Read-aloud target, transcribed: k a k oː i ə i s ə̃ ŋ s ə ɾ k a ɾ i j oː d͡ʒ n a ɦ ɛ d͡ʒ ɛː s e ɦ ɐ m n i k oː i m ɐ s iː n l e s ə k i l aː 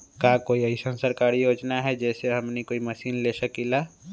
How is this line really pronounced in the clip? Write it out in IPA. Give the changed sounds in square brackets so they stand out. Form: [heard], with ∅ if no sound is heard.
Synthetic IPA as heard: k a k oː i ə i s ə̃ [n] s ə ɾ k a ɾ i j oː d͡ʒ n a ɦ ɛ d͡ʒ ɛː s e ɦ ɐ m n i k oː i m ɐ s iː n l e s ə k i l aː